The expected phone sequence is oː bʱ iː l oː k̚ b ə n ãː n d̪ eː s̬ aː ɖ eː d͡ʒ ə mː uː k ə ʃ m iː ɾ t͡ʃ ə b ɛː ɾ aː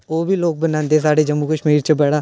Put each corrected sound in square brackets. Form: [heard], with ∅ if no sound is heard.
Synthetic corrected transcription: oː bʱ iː l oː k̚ b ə n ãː n d̪ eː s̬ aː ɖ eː d͡ʒ ə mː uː k ə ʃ m iː ɾ t͡ʃ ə b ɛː [ɽ] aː